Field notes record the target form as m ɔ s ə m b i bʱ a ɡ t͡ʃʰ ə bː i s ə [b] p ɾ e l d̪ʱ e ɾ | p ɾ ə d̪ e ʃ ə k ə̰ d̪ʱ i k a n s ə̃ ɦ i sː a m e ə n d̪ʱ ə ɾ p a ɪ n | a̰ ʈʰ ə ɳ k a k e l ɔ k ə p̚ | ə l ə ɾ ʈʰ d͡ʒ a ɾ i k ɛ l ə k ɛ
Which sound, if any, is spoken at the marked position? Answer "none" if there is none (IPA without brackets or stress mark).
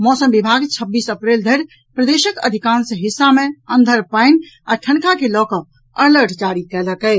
none